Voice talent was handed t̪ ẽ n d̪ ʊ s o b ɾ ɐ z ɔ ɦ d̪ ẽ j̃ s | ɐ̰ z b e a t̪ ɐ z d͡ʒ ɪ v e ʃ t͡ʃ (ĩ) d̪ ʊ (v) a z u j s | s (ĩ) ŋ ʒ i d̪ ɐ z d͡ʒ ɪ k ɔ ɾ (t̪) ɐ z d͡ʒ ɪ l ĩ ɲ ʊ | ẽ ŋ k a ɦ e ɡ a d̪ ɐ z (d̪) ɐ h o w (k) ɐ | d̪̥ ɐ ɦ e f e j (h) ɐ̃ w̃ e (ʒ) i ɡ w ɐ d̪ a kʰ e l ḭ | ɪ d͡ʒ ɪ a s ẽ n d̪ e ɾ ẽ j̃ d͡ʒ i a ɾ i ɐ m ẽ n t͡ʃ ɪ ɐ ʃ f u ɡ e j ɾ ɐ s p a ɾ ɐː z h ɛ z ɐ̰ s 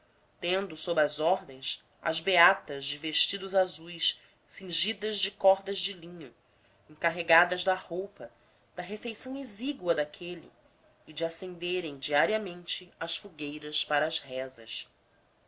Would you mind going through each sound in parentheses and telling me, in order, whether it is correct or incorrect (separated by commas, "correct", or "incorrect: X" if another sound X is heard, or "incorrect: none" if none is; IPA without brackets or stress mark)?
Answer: incorrect: i, incorrect: z, correct, incorrect: d̪, correct, incorrect: p, incorrect: s, incorrect: z